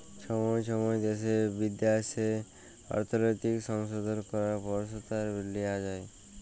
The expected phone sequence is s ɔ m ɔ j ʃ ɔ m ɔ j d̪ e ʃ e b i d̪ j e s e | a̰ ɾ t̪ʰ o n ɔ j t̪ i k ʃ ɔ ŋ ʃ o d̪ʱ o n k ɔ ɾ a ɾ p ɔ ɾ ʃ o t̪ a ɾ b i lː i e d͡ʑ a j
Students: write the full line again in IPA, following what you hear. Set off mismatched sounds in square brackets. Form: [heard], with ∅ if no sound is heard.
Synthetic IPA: [ʃ] ɔ m ɔ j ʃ ɔ m ɔ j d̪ e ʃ e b i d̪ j [a] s e | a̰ ɾ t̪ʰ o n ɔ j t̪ i k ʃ ɔ ŋ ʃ o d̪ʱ o n k ɔ ɾ a ɾ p ɔ ɾ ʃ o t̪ a ɾ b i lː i [a] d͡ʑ a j